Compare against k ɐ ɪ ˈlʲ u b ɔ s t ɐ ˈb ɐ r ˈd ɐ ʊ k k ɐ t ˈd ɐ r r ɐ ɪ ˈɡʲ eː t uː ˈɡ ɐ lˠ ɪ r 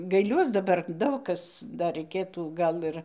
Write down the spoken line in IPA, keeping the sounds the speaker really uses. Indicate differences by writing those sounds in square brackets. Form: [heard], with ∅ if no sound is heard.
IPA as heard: [ɡ] ɐ ɪ ˈlʲ u [∅] ɔ s [d] ɐ ˈb ɐ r ˈd ɐ ʊ k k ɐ [s] ˈd ɐ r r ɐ ɪ [ˈkʲ] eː t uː ˈɡ ɐ lˠ ɪ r